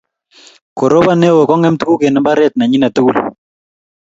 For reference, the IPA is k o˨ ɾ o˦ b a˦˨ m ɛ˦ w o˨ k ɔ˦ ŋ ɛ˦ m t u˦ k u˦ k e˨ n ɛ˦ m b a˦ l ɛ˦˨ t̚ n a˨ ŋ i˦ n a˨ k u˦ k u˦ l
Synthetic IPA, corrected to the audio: k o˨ ɾ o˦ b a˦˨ n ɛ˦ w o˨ k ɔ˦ ŋ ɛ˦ m t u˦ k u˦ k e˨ n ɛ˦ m b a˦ ɾ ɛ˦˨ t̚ n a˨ ɲ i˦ n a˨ t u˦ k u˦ l